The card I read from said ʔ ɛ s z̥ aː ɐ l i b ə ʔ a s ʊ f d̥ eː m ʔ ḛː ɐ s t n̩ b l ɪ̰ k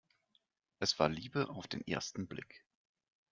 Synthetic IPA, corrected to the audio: ʔ ɛ s v̥ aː ɐ l iː b ə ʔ a ʊ f d̥ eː n ʔ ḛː ɐ s t n̩ b l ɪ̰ k